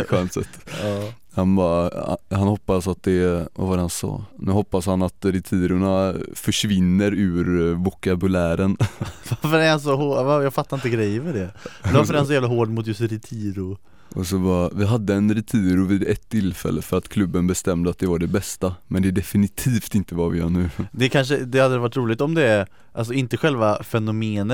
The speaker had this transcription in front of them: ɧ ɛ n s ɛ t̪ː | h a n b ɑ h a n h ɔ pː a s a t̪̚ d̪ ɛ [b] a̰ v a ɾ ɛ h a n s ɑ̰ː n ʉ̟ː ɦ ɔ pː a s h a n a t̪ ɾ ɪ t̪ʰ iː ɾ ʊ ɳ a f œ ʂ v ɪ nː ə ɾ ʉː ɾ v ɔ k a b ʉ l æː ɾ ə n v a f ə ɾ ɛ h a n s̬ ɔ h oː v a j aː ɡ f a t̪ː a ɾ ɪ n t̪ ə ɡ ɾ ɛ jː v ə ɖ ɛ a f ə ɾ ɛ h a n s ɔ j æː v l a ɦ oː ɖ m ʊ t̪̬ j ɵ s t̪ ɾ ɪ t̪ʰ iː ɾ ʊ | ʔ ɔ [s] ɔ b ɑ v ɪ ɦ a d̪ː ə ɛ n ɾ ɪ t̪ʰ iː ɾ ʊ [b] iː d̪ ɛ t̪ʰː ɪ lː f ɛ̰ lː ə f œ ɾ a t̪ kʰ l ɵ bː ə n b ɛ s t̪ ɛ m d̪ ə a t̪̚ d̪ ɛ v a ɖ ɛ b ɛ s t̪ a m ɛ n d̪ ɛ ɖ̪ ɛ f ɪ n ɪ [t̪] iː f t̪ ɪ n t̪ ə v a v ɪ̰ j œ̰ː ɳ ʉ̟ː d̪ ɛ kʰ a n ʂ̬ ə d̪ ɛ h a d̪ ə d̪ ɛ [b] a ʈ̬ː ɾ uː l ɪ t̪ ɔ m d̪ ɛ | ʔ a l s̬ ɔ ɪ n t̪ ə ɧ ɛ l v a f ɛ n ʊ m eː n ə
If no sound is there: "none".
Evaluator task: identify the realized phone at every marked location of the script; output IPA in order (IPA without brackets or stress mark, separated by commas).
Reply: v, s, v, t̪ʰ, v